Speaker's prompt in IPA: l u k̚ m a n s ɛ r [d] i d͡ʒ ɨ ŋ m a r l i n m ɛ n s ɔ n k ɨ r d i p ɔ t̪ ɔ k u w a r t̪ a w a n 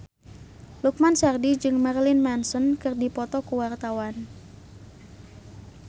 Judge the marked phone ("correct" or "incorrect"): correct